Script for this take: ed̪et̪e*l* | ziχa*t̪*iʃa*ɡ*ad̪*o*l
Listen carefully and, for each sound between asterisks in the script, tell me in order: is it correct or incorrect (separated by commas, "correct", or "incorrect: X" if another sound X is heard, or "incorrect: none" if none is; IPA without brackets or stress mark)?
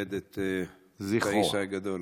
incorrect: none, incorrect: none, correct, correct